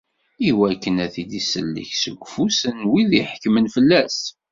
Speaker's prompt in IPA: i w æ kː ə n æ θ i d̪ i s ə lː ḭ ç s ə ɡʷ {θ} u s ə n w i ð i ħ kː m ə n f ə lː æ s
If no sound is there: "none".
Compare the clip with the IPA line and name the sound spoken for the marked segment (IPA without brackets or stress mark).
f